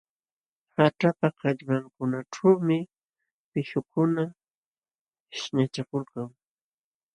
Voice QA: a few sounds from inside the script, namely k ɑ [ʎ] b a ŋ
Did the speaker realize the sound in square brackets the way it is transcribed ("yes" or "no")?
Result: yes